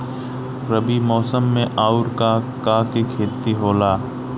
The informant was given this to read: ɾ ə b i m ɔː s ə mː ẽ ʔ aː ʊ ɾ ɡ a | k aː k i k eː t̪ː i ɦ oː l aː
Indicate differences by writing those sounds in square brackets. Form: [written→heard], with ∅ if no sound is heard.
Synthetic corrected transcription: ɾ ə b i m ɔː s ə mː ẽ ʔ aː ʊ ɾ [ɡ→k] a | k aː k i [k→kʰ] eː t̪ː i ɦ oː l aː